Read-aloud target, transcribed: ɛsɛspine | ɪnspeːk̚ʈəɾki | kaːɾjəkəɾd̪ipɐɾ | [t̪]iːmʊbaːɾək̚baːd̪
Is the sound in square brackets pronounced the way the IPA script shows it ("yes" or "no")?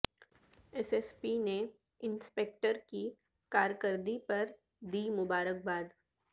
no